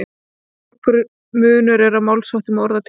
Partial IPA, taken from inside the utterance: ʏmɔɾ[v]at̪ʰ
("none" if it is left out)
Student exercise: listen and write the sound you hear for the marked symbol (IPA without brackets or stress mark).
ð